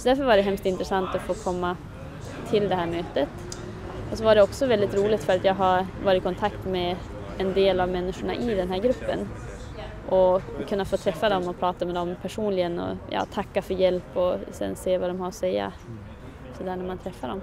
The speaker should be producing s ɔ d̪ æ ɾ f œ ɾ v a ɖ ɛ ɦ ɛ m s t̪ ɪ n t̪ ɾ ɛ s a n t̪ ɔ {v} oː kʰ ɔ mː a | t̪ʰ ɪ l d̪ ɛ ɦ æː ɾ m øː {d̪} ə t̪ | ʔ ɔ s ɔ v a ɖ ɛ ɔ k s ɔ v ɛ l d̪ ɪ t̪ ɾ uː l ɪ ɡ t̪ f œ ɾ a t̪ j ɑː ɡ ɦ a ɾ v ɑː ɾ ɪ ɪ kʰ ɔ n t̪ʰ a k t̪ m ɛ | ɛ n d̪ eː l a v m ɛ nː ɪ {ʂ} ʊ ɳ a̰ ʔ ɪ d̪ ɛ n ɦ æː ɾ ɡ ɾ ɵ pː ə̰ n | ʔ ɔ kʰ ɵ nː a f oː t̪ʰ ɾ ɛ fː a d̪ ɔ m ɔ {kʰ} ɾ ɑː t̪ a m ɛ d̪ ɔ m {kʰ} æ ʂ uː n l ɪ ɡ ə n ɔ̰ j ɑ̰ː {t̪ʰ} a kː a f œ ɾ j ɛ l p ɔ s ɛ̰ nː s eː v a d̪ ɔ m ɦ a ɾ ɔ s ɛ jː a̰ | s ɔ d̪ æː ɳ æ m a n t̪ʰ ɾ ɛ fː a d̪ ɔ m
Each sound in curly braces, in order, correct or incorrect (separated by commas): incorrect, incorrect, correct, incorrect, incorrect, correct